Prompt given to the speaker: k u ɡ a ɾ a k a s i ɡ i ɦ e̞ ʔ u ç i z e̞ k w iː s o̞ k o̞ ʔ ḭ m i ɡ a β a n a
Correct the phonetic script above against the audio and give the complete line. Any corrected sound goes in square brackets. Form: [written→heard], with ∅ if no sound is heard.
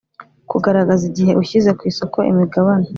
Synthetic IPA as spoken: k u ɡ a ɾ a [k→ɡ] a [s→z] i [ɡ→ɟ] i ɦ e̞ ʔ u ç i z e̞ k w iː s o̞ k o̞ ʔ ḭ m i ɡ a β a n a